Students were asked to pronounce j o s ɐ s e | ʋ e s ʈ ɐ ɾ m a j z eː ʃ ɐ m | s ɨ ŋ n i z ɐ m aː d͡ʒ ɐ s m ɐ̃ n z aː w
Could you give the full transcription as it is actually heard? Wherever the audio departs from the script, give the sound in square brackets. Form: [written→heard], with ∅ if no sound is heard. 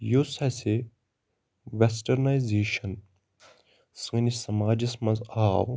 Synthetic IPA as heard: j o s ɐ s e | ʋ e s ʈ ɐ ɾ [m→n] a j z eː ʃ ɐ [m→n] | s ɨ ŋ n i [z→s] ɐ m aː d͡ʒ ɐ s m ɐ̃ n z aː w